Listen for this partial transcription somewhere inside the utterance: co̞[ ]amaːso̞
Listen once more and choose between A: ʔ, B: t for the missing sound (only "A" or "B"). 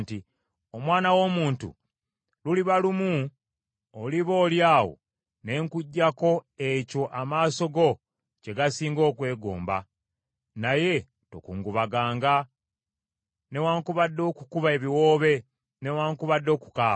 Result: A